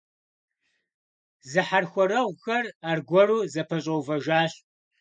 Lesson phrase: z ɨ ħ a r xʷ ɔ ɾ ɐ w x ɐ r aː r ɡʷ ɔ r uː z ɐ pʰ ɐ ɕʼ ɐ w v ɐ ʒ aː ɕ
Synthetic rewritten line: z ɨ ħ a r xʷ ɔ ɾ ɐ w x ɐ r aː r ɡʷ ɔ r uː z ɐ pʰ ɐ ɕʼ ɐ w v ɐ ʒ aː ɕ